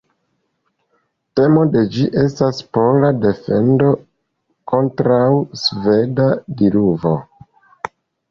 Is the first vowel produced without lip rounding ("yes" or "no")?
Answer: yes